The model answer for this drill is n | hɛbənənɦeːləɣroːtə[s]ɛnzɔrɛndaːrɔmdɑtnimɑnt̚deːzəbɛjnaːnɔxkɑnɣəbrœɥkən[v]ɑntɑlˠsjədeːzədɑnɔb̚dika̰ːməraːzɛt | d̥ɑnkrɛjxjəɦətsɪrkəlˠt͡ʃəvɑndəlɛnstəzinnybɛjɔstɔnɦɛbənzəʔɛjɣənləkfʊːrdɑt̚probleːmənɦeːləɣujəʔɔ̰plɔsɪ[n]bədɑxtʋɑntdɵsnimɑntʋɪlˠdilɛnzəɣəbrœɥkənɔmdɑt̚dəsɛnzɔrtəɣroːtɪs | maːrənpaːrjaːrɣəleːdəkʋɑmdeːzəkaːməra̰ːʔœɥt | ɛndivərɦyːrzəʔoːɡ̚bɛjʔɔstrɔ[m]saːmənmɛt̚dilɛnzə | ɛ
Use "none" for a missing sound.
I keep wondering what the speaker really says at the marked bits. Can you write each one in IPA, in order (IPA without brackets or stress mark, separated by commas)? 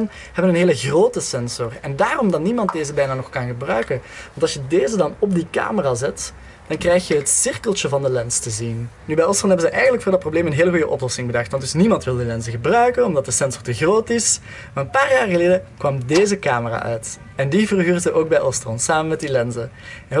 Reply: s, ʋ, ŋ, n